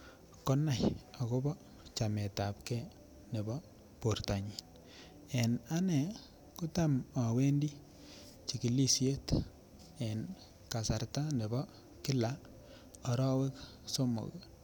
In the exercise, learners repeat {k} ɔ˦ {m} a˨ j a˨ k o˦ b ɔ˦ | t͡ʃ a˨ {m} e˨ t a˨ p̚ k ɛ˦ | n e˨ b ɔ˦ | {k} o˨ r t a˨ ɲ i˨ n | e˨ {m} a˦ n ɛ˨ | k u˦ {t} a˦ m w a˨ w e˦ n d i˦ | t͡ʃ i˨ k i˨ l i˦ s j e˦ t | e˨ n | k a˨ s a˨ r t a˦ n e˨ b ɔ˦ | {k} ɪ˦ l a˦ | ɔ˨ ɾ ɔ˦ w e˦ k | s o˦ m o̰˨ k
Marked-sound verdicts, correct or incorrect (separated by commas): correct, incorrect, correct, incorrect, incorrect, correct, correct